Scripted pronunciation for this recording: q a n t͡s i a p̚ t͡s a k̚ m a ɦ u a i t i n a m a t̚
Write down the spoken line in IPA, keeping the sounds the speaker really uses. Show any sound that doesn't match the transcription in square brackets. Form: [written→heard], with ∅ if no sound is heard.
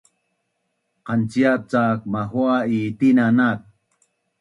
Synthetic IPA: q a n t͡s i a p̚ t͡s a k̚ m a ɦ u a i t i n a [m→n] a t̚